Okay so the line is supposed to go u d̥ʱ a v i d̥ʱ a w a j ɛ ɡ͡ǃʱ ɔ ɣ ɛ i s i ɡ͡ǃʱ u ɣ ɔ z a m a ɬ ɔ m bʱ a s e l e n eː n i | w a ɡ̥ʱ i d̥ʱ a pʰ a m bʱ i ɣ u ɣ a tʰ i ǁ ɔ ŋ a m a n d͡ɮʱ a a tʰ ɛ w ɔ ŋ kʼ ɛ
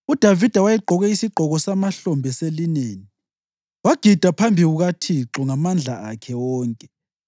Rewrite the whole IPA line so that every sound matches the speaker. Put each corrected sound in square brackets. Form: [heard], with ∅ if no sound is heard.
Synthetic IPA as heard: u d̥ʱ a v i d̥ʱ a w a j ɛ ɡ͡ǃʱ ɔ ɣ ɛ i s i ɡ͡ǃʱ [ɔ] ɣ ɔ [s] a m a ɬ ɔ m bʱ [ɛ] s e l [i] n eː n i | w a ɡ̥ʱ i d̥ʱ a pʰ a m bʱ i ɣ u ɣ a tʰ i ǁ ɔ ŋ a m a n d͡ɮʱ a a [kʰ] ɛ w [ɔː] ŋ kʼ ɛ